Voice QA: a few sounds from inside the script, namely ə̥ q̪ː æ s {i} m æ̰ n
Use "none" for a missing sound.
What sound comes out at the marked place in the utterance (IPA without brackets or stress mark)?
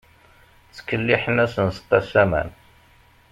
æ